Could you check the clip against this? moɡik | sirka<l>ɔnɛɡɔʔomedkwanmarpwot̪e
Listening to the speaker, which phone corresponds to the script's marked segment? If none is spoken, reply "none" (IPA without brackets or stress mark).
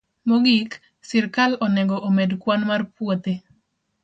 l